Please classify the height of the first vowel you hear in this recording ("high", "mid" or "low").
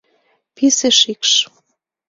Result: high